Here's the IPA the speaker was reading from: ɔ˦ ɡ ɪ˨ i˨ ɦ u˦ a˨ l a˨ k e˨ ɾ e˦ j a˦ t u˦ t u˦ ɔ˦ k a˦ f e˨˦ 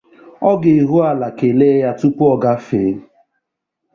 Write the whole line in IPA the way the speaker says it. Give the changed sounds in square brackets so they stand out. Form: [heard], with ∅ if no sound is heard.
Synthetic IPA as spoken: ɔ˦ ɡ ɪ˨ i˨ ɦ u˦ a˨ l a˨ k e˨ [l] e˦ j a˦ t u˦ [p] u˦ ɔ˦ [ɡ] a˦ f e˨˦